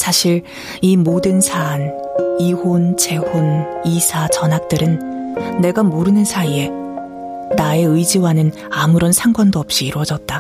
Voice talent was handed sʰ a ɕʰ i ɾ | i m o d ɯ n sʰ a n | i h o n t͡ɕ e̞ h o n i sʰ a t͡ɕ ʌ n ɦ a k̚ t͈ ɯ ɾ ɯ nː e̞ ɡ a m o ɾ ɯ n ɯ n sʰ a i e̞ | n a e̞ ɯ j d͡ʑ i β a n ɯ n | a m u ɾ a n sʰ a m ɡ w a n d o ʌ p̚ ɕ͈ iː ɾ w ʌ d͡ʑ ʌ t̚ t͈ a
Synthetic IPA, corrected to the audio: sʰ a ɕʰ i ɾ | i m o d ɯ n sʰ a n | i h o n t͡ɕ e̞ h o n i sʰ a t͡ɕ ʌ n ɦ a k̚ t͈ ɯ ɾ ɯ nː e̞ ɡ a m o ɾ ɯ n ɯ n sʰ a i e̞ | n a e̞ ɯ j d͡ʑ i w a n ɯ n | a m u ɾ ʌ n sʰ a ŋ ɡ w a n d o ʌ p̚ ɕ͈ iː ɾ w ʌ d͡ʑ ʌ t̚ t͈ a